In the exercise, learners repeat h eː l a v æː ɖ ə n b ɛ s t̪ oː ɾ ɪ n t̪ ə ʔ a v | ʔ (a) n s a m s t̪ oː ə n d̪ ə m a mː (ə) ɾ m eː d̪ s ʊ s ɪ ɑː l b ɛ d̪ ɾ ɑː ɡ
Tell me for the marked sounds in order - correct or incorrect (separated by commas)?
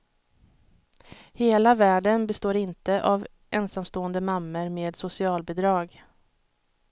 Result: incorrect, correct